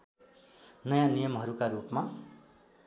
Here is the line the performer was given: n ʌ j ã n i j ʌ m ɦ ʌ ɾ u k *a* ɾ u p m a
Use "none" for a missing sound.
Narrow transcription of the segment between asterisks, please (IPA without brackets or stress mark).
a